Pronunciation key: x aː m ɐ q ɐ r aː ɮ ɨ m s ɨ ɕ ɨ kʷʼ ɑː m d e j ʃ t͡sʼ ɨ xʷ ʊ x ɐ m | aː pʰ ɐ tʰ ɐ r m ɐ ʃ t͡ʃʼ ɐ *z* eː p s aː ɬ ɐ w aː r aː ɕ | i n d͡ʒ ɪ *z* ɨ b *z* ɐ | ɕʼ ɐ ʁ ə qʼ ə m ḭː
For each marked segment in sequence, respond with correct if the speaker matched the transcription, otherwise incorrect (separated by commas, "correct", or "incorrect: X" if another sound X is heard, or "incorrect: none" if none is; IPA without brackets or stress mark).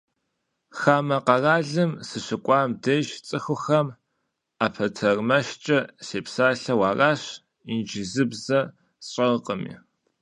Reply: incorrect: s, correct, correct